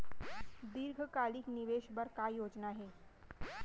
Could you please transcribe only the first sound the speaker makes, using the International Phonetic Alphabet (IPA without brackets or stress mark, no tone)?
d̪